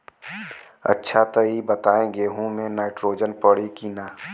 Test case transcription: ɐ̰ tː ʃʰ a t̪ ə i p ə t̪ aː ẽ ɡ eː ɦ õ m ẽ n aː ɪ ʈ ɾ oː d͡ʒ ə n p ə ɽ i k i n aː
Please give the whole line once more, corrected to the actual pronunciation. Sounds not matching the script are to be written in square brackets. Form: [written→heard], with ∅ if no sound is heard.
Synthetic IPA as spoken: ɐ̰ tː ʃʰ a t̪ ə i [p→b] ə t̪ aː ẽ ɡ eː ɦ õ m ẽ n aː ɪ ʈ ɾ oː d͡ʒ ə n p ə ɽ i k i n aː